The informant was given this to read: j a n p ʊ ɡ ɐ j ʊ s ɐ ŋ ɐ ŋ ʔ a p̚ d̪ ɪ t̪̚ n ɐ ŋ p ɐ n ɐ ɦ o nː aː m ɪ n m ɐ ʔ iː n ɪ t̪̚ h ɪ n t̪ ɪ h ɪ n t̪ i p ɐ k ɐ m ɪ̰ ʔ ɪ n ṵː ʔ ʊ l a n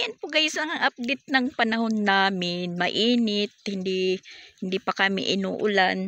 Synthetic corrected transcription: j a n p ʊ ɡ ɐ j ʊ s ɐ ŋ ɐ ŋ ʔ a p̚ d̪ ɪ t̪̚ n ɐ ŋ p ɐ n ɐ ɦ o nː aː m ɪ n m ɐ ʔ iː n ɪ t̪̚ h ɪ n d̪ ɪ h ɪ n d̪ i p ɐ k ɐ m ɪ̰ ʔ ɪ n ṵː ʔ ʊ l a n